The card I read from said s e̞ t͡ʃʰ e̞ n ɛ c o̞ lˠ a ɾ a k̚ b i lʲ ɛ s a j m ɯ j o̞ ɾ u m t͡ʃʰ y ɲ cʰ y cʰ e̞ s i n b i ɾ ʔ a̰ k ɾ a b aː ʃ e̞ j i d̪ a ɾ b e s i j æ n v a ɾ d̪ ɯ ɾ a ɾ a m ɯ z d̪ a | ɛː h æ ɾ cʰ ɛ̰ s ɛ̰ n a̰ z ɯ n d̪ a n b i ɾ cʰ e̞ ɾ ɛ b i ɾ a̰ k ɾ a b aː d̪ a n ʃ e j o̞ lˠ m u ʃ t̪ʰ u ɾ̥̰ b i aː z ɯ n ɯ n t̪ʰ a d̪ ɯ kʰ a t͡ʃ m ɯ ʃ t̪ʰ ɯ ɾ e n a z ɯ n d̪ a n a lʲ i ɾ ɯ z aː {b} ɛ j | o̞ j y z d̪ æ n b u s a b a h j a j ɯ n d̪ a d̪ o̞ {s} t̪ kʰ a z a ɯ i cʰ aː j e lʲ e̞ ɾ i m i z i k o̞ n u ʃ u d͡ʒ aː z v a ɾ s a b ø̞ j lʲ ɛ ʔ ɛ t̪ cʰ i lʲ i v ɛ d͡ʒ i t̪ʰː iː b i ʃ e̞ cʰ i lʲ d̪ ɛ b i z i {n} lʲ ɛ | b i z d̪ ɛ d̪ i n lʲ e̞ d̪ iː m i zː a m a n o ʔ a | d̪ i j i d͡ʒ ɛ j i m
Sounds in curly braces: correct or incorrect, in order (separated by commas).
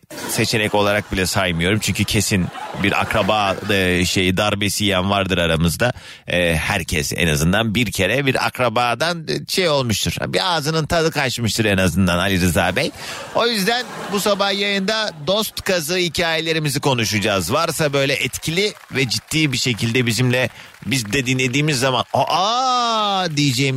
correct, correct, incorrect